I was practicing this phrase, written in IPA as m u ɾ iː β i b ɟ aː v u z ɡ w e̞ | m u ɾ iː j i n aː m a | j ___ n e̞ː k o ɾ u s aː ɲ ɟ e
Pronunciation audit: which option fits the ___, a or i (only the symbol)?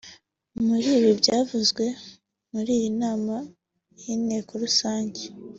i